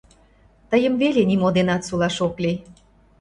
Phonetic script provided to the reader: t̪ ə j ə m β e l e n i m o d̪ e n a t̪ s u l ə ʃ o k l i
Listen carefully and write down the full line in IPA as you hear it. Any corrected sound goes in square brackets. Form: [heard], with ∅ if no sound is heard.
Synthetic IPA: t̪ ə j ə m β e l e n i m o d̪ e n [ɑ] t̪ s u l [ɑ] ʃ o k l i